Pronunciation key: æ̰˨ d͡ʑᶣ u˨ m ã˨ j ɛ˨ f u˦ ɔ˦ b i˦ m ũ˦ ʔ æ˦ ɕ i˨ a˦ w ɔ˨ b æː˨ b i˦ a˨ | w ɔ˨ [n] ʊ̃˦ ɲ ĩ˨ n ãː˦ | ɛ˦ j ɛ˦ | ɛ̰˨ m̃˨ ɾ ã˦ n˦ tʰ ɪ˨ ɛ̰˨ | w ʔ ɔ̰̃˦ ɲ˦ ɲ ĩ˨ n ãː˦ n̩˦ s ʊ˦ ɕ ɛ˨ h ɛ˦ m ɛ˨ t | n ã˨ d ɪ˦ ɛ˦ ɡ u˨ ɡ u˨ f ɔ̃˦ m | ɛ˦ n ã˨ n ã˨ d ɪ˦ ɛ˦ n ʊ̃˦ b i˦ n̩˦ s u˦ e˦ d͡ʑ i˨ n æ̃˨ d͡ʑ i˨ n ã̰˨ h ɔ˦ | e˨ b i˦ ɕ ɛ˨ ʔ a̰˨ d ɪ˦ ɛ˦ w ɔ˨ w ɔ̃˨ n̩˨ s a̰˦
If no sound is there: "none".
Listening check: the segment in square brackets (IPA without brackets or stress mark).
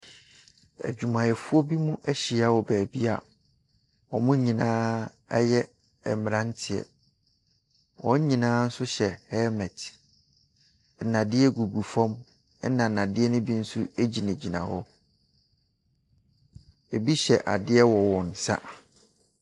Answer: m